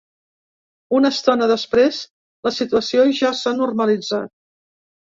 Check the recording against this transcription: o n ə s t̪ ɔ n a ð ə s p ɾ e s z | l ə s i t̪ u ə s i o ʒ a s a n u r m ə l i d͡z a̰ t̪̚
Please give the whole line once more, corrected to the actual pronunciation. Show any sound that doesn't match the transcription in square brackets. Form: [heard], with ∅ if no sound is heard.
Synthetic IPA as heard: [u] n ə s t̪ ɔ n [ə] ð ə s p ɾ e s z | l ə s i t̪ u ə s i o ʒ a s a n u r m ə l i d͡z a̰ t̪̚